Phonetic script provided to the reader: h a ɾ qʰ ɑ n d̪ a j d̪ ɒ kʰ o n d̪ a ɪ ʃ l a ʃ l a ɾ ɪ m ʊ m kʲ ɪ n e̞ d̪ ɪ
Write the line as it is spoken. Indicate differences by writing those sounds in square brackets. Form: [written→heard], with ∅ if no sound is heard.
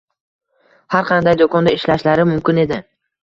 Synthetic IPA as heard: h a ɾ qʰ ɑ n d̪ a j d̪ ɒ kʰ [o→ɒ] n d̪ a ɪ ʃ l a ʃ l a ɾ ɪ m ʊ m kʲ ɪ n e̞ d̪ ɪ